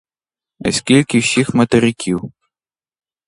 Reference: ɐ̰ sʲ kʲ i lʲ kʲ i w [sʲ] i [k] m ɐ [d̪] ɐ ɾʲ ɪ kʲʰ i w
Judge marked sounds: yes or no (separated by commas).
yes, no, no